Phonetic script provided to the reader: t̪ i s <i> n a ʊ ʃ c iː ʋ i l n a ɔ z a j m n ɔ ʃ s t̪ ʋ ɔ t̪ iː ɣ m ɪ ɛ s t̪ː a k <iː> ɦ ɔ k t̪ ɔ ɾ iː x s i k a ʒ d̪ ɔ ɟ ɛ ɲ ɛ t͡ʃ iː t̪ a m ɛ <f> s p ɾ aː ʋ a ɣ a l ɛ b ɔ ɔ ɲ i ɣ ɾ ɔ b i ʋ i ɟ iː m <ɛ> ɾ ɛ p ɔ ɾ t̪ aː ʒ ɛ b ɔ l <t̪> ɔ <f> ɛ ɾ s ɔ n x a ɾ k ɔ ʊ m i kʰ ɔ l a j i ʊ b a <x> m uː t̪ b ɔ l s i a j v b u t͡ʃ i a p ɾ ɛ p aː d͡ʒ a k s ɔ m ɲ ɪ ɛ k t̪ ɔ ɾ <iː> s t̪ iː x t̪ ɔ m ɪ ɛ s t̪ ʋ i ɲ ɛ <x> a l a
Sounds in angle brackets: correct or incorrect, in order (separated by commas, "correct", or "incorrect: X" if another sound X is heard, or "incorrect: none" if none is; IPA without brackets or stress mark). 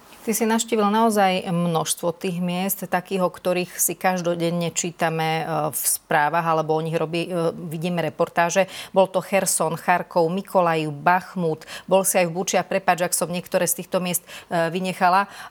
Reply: correct, correct, correct, correct, correct, incorrect: x, correct, incorrect: ɛː, correct